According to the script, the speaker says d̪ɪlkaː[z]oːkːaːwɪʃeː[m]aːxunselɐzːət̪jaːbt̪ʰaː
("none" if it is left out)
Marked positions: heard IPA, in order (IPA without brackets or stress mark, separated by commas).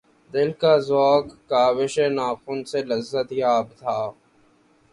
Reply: z, n